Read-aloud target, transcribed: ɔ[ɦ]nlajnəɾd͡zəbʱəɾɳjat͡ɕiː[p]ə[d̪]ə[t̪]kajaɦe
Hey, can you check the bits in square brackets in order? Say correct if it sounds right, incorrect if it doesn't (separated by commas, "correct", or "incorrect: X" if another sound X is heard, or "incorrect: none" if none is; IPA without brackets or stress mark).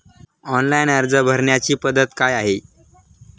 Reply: incorrect: none, correct, correct, correct